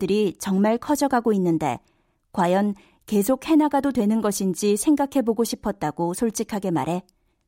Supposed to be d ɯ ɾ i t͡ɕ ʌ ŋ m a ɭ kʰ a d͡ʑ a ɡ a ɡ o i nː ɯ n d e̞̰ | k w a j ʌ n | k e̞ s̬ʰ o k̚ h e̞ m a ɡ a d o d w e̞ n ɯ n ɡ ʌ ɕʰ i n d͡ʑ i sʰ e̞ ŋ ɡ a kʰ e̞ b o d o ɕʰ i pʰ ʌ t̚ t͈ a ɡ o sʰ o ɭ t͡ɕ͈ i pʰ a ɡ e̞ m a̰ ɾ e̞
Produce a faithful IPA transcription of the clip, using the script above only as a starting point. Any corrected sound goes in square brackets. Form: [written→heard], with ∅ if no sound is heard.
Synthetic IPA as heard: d ɯ ɾ i t͡ɕ ʌ ŋ m a ɭ kʰ [a→ʌ] d͡ʑ [a→ʌ] ɡ a ɡ o i nː ɯ n d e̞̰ | k w a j ʌ n | k e̞ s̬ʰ o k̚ h e̞ [m→n] a ɡ a d o d w e̞ n ɯ n ɡ ʌ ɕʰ i n d͡ʑ i sʰ e̞ ŋ ɡ a kʰ e̞ b o [d→ɡ] o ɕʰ i pʰ ʌ t̚ t͈ a ɡ o sʰ o ɭ t͡ɕ͈ i [pʰ→kʰ] a ɡ e̞ m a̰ ɾ e̞